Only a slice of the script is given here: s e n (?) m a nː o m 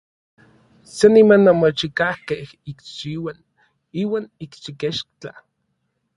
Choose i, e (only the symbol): i